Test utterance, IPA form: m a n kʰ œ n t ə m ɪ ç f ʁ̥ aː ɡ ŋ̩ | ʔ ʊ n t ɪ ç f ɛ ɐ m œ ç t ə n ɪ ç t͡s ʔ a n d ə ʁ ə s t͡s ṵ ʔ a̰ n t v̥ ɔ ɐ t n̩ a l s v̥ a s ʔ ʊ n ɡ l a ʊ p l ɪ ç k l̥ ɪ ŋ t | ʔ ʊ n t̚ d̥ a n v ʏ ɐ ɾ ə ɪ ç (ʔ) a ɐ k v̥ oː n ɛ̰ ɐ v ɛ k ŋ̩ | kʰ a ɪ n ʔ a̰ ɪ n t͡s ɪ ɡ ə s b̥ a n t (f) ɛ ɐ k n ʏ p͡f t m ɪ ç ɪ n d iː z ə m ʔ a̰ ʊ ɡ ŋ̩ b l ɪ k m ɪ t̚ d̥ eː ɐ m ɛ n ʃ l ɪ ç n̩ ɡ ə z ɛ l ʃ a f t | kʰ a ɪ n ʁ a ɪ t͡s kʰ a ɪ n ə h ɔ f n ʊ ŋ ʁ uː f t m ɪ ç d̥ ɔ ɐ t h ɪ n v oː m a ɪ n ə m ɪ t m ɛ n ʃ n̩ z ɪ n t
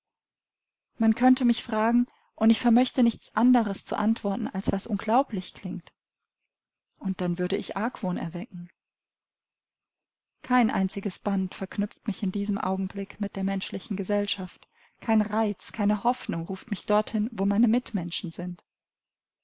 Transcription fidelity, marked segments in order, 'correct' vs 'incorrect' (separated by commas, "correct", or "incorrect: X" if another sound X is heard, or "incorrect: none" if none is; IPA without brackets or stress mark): correct, correct